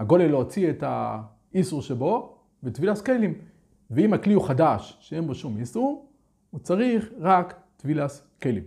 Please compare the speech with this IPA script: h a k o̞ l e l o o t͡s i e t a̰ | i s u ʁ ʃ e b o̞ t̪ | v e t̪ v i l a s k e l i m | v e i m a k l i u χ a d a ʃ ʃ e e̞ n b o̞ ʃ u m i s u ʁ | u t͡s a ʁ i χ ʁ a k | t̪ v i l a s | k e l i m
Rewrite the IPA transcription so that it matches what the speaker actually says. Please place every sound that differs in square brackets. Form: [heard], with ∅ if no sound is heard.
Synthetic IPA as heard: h a [ɡ] o̞ l e l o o t͡s i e t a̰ | i s u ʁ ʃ e b o̞ [∅] | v e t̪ v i l a s k e l i m | v e i m a k l i u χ a d a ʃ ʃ e e̞ n b o̞ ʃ u m i s u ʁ | u t͡s a ʁ i χ ʁ a k | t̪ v i l a s | k e l i m